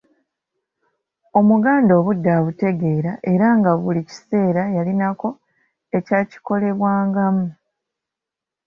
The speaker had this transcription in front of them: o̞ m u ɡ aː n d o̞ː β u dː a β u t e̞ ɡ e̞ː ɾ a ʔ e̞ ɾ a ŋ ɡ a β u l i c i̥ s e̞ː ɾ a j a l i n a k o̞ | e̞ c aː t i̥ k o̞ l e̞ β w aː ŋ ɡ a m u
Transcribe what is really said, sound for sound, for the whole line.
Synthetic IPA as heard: o̞ m u ɡ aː n d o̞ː β u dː a β u t e̞ ɡ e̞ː ɾ a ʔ e̞ ɾ a ŋ ɡ a β u l i c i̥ s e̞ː ɾ a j a l i n a k o̞ | e̞ c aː c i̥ k o̞ l e̞ β w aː ŋ ɡ a m u

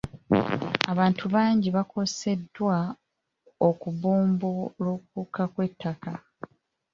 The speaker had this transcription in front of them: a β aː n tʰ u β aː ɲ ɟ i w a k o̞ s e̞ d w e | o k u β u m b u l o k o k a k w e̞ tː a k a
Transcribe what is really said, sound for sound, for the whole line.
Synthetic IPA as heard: a β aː n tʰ u β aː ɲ ɟ i β a k o̞ s e̞ d w a | o k u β uː m b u l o k u k a k w e̞ tː a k a

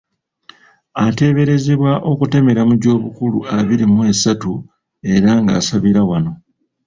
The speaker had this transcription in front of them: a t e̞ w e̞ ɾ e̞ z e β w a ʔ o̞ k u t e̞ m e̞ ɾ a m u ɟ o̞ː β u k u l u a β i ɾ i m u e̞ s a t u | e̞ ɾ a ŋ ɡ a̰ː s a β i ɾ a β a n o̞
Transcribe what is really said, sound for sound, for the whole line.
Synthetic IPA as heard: a t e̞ β e̞ ɾ e̞ z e β w a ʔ o̞ k u t e̞ m e̞ ɾ a m u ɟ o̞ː β u k u l u a β i ɾ i m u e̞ s a t u | e̞ ɾ a ŋ ɡ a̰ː s a β i ɾ a w a n o̞

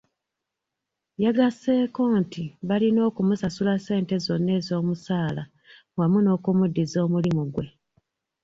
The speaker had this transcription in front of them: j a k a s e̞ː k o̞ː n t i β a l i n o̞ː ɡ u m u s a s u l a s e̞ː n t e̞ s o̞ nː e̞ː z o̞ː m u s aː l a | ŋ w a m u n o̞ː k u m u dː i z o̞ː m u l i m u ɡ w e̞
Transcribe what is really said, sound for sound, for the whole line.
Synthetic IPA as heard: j a ɡ a s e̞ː k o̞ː n t i β a l i n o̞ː k u m u s a s u l a s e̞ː n t e̞ z o̞ nː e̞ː z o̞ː m u s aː l a | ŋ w a m u n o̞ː k u m u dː i z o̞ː m u l i m u ɡ w e̞

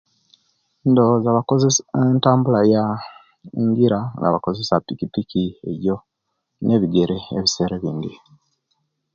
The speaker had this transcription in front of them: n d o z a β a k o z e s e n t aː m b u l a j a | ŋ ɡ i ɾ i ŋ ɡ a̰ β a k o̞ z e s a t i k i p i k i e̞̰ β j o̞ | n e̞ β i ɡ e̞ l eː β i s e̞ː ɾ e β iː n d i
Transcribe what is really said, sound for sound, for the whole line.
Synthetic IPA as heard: n d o z a β a k o z e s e n t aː m b u l a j a | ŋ ɡ i ɾ a ŋ ɡ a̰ β a k o̞ z e s a p i k i p i k i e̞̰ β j o̞ | n e̞ β i ɡ e̞ ɾ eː β i s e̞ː ɾ e β iː n d i

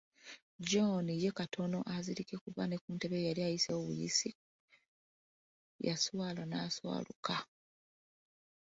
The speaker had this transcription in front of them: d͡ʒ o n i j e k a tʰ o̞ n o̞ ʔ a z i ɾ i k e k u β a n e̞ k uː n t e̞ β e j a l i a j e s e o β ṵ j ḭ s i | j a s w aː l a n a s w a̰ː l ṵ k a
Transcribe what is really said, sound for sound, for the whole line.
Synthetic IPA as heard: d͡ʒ o n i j e k a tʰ o̞ n o̞ ʔ a z i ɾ i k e k u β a n e̞ k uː n t e̞ β e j a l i a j i s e o β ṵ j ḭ s i | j a s w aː l a n a s w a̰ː l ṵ k a

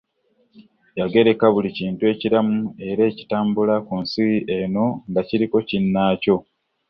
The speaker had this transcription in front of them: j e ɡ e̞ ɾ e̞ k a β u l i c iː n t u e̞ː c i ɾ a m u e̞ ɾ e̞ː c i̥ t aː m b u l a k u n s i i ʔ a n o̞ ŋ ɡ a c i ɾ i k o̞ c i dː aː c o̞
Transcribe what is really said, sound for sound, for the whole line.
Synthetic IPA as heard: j a ɡ e̞ ɾ e̞ k a β u l i c iː n t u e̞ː c i ɾ a m u e̞ ɾ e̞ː c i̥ t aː m b u l a k u n s i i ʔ e n o̞ ŋ ɡ a c i ɾ i k o̞ c i nː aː c o̞

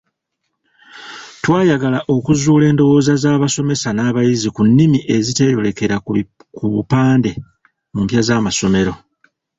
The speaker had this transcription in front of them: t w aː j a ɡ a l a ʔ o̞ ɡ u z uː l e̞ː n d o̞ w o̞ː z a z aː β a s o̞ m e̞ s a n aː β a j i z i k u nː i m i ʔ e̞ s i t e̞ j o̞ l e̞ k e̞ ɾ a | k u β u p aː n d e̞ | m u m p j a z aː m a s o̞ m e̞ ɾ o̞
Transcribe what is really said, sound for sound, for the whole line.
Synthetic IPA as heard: t w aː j a ɡ a l a ʔ o̞ k u z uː l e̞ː n d o̞ w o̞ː z a z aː β a s o̞ m e̞ s a n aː β a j i z i k u nː i m i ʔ e̞ z i t e̞ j o̞ l e̞ k e̞ ɾ a | k u β u p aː n d e̞ | m u m p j a z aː m a s o̞ m e̞ ɾ o̞

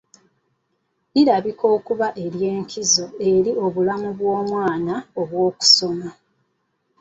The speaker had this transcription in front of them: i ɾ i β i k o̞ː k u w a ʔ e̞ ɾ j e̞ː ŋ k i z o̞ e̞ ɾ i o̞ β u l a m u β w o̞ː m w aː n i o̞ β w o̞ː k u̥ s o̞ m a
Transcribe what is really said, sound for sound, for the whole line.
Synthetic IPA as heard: i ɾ a β i k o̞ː k u β a ʔ e̞ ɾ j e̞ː ŋ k i z o̞ e̞ ɾ i o̞ β u l a m u β w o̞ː m w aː n a o̞ β w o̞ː k u̥ s o̞ m a

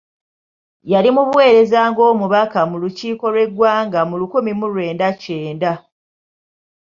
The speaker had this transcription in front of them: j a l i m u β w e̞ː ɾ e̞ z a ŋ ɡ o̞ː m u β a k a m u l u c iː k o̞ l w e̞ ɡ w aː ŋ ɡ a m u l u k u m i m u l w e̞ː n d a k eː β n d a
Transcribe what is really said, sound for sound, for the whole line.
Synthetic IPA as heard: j a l i m u β w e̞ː ɾ e̞ z a ŋ ɡ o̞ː m u β a k a m u l u c iː k o̞ l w e̞ ɡ w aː ŋ ɡ a m u l u k u m i m u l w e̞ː n d a c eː n d a

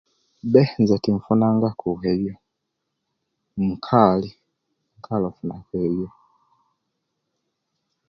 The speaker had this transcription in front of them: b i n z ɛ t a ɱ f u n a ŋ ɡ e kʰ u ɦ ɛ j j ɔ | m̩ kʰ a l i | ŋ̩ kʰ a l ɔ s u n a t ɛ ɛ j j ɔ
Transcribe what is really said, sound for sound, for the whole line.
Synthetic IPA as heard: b ɛ n z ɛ t i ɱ f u n a ŋ ɡ a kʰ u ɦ ɛ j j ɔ | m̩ kʰ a l i | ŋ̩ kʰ a l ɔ f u n a k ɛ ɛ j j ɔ

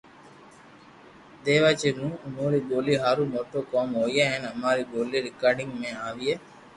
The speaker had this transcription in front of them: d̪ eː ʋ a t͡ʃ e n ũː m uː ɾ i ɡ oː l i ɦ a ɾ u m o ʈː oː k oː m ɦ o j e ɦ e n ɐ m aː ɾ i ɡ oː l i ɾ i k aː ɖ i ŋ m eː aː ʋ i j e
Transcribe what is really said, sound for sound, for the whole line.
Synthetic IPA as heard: d̪ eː ʋ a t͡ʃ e n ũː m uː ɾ i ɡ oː l i ɦ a ɾ u m o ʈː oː k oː m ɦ o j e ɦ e n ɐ m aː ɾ i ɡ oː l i ɾ i k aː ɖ i ŋ m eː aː ʋ i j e

